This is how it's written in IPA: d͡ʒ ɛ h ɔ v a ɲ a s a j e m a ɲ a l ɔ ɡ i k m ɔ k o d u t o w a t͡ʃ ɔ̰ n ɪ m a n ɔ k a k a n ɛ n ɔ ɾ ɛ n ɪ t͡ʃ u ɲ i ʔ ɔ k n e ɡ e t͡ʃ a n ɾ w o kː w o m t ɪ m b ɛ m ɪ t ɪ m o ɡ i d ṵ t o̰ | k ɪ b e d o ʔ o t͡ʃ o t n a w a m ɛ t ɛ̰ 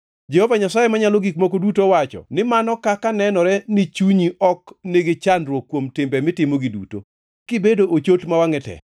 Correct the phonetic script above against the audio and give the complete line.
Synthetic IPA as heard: d͡ʒ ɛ h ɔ v a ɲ a s a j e m a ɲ a l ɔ ɡ i k m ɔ k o d u t o w a t͡ʃ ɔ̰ n ɪ m a n ɔ k a k a n ɛ n ɔ ɾ ɛ n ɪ t͡ʃ u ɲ i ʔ ɔ k n e ɡ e t͡ʃ a n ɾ w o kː w o m t ɪ m b ɛ m ɪ t ɪ m o ɡ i d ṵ t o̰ | k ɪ b e d o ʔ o t͡ʃ o t m a w a ŋ ɛ t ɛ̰